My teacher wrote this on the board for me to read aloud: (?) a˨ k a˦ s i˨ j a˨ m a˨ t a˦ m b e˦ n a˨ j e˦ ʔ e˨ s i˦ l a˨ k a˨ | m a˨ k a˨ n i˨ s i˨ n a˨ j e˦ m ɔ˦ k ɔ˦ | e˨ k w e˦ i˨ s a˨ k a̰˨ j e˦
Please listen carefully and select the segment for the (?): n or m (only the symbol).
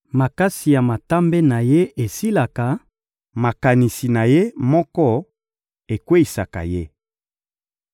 m